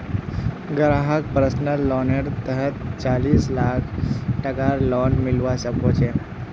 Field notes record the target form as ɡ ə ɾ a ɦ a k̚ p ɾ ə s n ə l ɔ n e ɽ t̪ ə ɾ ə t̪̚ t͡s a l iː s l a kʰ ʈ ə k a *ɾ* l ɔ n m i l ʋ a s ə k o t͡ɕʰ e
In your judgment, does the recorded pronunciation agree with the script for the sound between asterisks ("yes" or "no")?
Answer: yes